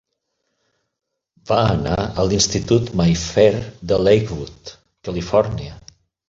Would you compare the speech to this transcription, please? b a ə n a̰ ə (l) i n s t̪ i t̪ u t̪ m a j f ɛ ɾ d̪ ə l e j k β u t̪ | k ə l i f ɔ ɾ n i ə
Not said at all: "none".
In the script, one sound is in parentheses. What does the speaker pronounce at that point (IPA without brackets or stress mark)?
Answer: l